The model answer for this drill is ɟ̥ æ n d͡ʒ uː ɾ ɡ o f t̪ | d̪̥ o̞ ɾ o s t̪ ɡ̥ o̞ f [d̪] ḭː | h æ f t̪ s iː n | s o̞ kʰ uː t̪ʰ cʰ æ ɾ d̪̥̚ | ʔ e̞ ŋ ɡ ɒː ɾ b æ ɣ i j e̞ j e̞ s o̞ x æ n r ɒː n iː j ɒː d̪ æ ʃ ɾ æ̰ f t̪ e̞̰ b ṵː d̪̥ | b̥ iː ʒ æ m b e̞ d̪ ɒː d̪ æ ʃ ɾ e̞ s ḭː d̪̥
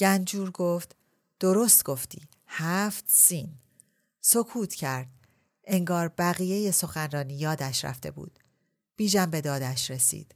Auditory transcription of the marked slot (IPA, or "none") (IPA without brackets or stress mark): t̪